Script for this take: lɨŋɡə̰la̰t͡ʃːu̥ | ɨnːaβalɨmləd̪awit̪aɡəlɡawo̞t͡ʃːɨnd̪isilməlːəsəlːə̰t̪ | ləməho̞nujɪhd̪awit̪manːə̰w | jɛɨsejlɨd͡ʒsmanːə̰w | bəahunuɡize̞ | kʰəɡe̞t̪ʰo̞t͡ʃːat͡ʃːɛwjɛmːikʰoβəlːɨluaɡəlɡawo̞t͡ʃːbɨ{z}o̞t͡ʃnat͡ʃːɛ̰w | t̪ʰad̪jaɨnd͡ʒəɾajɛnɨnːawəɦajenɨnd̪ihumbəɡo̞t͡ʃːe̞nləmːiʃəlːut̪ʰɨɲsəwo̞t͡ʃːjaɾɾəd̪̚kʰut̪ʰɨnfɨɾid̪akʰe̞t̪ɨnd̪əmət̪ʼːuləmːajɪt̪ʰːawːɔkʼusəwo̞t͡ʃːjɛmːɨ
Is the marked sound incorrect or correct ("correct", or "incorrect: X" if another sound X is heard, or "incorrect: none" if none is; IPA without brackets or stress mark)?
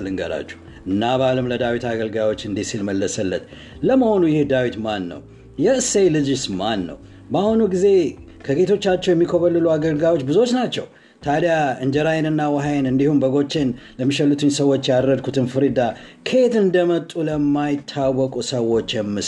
correct